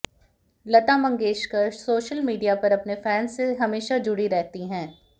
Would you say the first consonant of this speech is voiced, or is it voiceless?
voiced